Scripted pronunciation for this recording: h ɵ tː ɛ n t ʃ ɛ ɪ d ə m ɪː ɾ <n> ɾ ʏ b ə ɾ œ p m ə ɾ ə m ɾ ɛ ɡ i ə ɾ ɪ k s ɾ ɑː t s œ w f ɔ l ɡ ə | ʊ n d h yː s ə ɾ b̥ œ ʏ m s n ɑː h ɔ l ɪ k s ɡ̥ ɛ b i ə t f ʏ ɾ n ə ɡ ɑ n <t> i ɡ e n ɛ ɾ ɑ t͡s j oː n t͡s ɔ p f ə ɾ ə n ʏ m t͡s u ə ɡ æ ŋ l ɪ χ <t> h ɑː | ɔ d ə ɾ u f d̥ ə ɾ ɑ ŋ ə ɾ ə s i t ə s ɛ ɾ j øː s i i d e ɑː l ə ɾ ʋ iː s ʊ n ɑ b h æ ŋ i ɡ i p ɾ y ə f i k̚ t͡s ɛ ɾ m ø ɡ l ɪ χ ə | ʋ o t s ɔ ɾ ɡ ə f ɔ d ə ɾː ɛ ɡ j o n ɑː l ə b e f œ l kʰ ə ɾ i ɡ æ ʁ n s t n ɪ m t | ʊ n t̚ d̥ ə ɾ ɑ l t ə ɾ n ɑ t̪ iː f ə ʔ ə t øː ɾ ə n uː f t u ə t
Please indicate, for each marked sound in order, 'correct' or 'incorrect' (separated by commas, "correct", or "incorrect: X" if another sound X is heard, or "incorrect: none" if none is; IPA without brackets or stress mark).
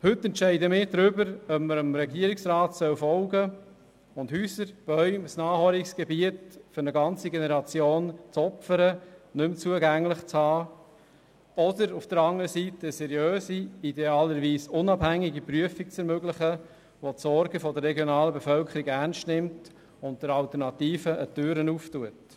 incorrect: d, incorrect: t͡s, incorrect: t͡s